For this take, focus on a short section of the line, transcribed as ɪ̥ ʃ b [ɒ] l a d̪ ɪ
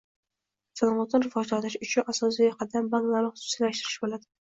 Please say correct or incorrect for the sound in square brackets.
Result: incorrect